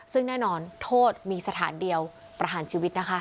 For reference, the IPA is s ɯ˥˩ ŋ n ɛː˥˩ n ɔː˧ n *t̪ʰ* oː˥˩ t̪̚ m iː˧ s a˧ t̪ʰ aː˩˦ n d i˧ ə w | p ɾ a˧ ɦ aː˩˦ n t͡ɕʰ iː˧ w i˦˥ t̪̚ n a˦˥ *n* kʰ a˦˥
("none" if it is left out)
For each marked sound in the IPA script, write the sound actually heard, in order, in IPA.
t̪ʰ, none

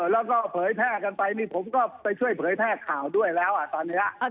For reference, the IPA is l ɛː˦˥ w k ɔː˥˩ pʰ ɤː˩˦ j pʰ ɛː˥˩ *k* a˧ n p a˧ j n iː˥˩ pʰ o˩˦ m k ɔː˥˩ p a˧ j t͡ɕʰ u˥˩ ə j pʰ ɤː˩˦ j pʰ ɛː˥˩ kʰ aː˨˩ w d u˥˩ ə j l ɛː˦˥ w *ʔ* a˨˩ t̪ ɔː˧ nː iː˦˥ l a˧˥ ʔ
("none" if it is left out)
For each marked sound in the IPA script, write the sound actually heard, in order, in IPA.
k, ʔ

